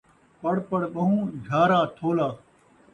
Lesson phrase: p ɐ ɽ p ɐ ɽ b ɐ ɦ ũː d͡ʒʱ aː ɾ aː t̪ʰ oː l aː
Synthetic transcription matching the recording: p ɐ ɽ p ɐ ɽ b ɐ ɦ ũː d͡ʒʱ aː ɾ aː t̪ʰ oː l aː